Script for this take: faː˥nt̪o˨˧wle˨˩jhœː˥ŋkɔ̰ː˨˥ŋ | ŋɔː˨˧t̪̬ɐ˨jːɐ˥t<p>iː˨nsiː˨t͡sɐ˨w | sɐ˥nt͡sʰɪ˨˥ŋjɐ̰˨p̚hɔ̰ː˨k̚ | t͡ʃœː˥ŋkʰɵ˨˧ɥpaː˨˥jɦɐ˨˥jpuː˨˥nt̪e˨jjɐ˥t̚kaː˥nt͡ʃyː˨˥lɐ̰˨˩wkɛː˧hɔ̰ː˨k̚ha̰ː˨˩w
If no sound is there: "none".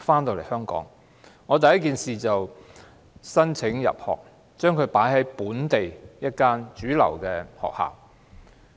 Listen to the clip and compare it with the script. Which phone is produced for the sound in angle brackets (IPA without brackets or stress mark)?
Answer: k